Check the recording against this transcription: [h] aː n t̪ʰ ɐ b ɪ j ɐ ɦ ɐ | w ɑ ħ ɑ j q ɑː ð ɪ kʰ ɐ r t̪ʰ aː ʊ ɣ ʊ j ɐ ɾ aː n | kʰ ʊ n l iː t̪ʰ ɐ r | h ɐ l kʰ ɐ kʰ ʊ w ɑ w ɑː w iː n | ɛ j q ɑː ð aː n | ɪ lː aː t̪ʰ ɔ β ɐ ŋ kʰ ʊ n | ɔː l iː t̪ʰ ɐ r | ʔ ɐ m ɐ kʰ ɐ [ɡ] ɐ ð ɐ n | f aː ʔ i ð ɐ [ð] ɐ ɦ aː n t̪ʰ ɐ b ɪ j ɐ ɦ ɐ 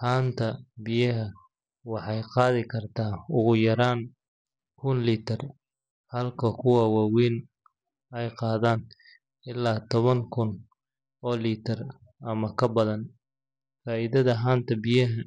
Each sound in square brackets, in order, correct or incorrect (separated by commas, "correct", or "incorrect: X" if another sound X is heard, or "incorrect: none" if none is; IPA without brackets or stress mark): correct, incorrect: b, correct